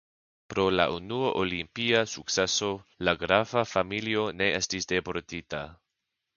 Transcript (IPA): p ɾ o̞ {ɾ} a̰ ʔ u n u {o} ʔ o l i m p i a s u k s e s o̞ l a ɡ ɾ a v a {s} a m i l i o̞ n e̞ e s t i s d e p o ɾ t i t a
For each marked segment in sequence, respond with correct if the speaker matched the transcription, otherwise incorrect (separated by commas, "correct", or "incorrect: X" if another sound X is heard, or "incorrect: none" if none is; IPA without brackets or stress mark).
incorrect: l, correct, incorrect: f